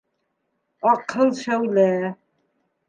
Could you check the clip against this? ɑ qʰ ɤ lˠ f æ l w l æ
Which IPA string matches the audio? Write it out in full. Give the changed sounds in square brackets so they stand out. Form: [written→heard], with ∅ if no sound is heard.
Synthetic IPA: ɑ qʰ ɤ lˠ [f→ʃ] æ [l→∅] w l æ